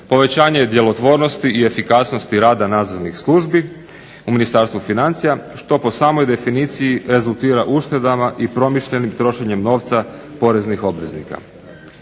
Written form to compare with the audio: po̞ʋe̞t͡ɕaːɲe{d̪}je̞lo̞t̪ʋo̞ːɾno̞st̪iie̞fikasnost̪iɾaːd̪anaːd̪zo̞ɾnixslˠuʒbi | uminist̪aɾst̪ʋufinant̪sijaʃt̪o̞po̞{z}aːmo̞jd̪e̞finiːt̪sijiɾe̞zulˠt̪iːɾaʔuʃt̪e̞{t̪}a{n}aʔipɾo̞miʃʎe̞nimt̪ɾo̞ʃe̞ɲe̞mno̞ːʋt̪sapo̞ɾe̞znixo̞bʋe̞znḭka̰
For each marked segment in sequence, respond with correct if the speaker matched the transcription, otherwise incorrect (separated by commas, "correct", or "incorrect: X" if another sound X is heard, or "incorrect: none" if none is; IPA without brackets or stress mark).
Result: correct, incorrect: s, incorrect: d̪, incorrect: m